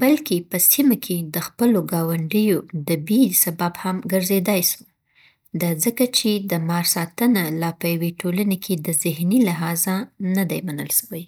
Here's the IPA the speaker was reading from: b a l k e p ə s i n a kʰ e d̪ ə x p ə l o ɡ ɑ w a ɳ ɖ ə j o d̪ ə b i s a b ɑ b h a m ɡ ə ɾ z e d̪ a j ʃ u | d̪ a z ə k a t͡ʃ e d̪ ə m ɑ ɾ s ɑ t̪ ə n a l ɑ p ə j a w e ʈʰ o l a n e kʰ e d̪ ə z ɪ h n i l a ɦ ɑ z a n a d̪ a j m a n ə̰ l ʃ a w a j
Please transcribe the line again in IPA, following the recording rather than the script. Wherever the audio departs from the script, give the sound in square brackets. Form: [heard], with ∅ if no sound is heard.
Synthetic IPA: b a l k e p ə s i [m] a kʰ e d̪ ə x p ə l o ɡ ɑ w a ɳ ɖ ə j o d̪ ə b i s a b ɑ b h a m ɡ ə ɾ z e d̪ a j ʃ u | d̪ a z ə k a t͡ʃ e d̪ ə m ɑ ɾ s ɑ t̪ ə n a l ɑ p ə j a w e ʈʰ o l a n e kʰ e d̪ ə z ɪ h n i l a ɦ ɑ z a n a d̪ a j m a n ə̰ l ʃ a w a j